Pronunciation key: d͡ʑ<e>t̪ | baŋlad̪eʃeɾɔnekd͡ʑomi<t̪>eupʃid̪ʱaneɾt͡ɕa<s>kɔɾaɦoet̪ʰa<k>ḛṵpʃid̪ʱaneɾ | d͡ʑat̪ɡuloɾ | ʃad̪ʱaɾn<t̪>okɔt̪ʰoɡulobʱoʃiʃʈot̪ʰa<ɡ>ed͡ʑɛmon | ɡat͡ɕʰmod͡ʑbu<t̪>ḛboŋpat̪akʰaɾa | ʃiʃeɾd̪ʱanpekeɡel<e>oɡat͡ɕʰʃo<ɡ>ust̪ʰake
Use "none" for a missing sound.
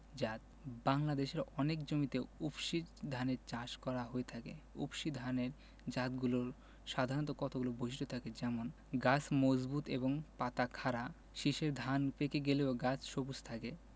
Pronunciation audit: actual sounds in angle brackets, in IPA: a, t̪, ʃ, k, t̪, k, t̪, e, b

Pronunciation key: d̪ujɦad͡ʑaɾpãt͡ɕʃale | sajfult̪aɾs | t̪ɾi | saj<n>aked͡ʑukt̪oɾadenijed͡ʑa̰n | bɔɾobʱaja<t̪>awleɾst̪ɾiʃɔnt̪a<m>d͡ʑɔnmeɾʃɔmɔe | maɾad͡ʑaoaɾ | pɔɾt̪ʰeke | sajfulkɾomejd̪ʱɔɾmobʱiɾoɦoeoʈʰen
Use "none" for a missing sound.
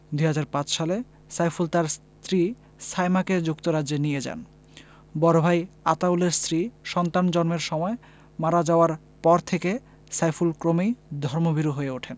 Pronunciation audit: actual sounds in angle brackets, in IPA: m, t̪, n

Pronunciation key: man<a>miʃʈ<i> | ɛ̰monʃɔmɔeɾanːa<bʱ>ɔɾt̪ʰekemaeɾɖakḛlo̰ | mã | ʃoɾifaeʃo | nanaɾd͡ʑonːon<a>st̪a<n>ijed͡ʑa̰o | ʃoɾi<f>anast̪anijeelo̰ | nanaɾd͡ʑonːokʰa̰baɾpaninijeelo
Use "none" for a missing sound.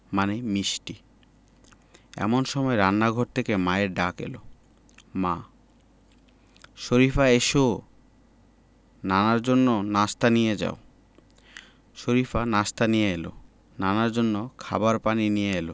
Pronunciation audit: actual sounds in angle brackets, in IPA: e, i, ɡʱ, a, n, f

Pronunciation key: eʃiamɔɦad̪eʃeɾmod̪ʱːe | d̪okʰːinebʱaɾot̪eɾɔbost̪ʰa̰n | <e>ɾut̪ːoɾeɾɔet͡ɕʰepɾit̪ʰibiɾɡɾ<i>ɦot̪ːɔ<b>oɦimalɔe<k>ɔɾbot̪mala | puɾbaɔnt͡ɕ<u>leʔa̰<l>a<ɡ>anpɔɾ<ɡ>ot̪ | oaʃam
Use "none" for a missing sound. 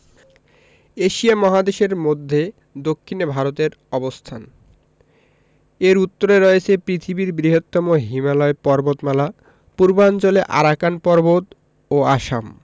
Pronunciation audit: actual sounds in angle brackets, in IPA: e, i, m, p, o, ɾ, k, b

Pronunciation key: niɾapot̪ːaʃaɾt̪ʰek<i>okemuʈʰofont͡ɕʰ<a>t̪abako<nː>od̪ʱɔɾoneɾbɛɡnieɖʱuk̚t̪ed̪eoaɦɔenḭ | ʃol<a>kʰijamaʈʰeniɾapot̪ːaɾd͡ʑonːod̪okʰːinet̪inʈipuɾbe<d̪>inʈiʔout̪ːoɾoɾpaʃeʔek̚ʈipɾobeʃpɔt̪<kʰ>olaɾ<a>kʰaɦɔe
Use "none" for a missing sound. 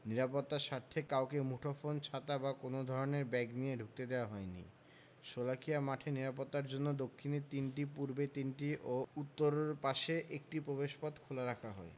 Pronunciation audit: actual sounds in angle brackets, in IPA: a, a, n, a, t̪, kʰ, a

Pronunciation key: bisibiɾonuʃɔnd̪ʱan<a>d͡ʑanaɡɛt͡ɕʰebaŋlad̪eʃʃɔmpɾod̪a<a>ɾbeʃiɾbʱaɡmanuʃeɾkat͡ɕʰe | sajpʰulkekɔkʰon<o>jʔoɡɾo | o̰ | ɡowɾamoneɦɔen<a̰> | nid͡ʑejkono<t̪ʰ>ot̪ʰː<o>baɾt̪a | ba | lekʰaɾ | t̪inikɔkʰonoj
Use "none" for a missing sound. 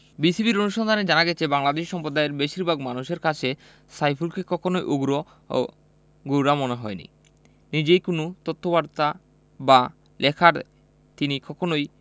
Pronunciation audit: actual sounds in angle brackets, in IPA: e, e, o, ḭ, t̪, o

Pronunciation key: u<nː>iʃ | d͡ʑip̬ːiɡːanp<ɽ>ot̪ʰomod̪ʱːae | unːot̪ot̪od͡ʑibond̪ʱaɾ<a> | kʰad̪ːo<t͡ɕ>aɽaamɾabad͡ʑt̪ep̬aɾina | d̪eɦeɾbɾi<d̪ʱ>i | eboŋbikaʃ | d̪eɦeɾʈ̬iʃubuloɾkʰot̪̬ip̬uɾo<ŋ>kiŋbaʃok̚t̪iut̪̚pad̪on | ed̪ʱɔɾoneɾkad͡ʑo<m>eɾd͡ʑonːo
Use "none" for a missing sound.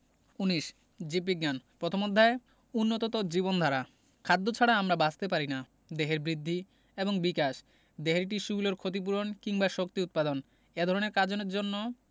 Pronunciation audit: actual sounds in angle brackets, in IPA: n, ɾ, a, t͡ɕʰ, d̪ʱː, n, n

